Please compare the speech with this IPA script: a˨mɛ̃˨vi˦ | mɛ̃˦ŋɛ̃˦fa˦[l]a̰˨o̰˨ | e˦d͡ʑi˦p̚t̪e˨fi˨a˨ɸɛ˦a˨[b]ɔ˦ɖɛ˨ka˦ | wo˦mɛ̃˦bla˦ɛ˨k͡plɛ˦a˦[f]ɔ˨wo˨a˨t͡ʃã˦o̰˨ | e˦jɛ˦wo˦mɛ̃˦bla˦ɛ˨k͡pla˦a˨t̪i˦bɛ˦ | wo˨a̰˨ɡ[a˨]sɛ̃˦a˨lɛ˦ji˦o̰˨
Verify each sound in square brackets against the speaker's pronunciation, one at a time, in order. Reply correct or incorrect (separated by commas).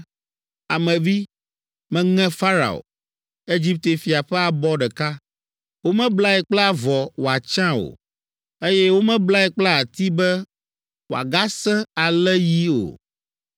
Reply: incorrect, correct, incorrect, incorrect